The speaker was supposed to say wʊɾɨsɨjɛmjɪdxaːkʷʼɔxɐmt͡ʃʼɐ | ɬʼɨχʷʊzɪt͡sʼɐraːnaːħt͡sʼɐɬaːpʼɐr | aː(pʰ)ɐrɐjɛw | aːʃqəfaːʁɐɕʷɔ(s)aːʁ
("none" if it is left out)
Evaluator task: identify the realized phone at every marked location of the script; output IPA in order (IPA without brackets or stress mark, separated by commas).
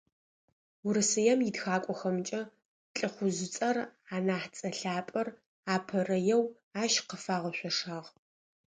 pʰ, ʂ